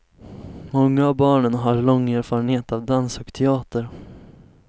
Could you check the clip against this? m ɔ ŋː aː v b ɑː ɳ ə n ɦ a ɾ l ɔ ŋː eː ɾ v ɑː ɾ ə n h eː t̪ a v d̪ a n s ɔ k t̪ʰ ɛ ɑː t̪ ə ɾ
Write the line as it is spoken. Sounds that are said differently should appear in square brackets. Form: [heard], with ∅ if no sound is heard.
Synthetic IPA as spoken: m ɔ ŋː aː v b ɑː ɳ ə n ɦ a ɾ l ɔ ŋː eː ɾ [f] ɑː ɾ ə n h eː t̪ a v d̪ a n s ɔ k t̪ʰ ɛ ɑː t̪ ə ɾ

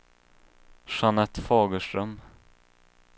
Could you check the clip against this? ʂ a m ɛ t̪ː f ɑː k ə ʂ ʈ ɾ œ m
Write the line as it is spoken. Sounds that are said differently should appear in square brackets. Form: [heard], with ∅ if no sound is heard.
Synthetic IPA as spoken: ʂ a [n] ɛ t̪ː f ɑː [ɡ] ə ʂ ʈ ɾ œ m

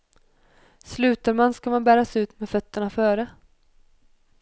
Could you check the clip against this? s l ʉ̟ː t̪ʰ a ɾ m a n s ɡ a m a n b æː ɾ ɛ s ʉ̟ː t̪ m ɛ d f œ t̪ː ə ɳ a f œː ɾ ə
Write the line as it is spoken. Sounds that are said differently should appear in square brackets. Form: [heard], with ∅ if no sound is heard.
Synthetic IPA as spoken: s l ʉ̟ː [t̪] a ɾ m a n s [k] a m a n b æː ɾ [a] s ʉ̟ː t̪ m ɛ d f œ t̪ː ə ɳ a f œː ɾ ə

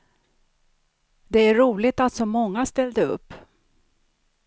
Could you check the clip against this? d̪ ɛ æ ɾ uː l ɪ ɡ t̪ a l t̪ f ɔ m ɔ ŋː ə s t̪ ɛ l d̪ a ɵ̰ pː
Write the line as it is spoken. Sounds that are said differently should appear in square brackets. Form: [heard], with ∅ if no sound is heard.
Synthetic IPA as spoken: d̪ ɛ æ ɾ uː l ɪ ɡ t̪ a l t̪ [s] ɔ m ɔ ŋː [a] s t̪ ɛ l d̪ [ə] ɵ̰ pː

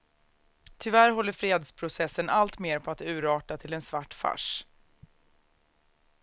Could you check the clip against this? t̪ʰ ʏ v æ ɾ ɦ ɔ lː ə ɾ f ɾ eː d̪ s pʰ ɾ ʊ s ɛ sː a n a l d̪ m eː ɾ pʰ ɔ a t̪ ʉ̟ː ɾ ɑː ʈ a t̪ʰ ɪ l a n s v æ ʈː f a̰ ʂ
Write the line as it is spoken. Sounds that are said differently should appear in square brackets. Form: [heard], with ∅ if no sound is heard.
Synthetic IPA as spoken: t̪ʰ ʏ v æ ɾ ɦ ɔ lː ə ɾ f ɾ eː d̪ s pʰ ɾ ʊ s ɛ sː [ə] n a l [t̪] m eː ɾ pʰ ɔ a t̪ ʉ̟ː ɾ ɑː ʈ a t̪ʰ ɪ l [ɛ] n s v [a] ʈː f a̰ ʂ

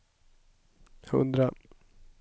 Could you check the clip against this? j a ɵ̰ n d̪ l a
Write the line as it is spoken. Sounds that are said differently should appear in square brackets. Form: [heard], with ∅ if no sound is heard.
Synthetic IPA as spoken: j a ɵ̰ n d̪ [ɾ] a

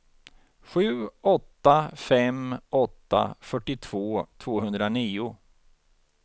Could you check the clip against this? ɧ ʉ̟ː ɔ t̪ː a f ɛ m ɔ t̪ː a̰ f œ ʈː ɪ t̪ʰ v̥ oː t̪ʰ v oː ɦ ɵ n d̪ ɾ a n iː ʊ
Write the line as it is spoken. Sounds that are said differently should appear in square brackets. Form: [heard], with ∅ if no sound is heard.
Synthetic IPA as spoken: ɧ ʉ̟ː ɔ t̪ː a f ɛ m ɔ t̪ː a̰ f œ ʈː ɪ t̪ʰ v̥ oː t̪ʰ v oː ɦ ɵ n d̪ ɾ a n iː ʊ

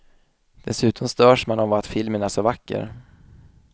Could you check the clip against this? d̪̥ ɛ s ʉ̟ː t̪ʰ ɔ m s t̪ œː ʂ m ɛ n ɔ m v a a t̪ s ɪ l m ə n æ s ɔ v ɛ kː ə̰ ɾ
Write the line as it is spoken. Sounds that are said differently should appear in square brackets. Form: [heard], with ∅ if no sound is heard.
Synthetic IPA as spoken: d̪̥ ɛ s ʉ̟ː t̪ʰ ɔ m s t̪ œː ʂ m [a] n ɔ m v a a t̪ [f] ɪ l m ə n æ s ɔ v [a] kː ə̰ ɾ

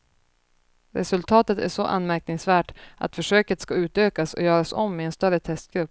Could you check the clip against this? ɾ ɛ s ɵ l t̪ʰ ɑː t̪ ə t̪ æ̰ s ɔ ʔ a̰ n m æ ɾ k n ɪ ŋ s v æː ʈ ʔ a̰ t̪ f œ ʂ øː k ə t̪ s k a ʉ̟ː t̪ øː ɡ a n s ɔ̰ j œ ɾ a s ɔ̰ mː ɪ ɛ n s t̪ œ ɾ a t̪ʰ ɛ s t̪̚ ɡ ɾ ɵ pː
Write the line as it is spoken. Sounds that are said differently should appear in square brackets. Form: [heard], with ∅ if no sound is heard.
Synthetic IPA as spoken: ɾ ɛ s ɵ l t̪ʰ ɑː t̪ ə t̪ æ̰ [ʂ] ɔ ʔ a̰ n m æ ɾ k n ɪ ŋ s v æː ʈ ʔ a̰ t̪ f œ ʂ øː k ə t̪ s k a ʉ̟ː t̪ øː [k] a [∅] s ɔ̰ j [œː] ɾ a s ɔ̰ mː ɪ ɛ n s t̪ œ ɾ [ə] t̪ʰ ɛ s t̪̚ ɡ ɾ ɵ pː

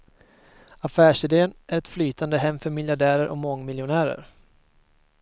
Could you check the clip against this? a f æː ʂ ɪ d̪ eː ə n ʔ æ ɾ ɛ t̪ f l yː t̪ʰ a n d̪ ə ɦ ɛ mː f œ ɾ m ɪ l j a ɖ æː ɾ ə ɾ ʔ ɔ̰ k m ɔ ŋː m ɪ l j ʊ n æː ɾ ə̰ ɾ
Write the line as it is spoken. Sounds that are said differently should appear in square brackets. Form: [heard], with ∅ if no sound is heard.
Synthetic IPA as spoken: a f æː ʂ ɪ d̪ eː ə n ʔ æ ɾ ɛ t̪ f l yː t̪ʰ a n d̪ ə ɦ ɛ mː f œ ɾ m ɪ l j a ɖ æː ɾ ə ɾ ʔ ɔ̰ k m ɔ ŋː m ɪ l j ʊ n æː ɾ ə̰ ɾ

